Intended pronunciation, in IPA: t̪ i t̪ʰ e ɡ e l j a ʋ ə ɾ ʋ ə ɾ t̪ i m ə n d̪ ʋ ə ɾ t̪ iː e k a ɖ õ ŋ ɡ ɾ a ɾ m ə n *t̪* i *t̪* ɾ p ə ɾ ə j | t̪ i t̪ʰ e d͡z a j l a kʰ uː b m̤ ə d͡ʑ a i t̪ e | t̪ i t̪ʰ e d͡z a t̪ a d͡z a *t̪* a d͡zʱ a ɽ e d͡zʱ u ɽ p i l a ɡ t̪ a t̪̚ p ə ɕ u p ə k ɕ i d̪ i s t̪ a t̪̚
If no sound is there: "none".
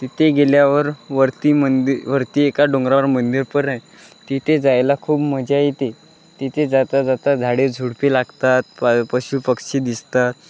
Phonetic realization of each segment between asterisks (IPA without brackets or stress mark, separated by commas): d̪, none, t̪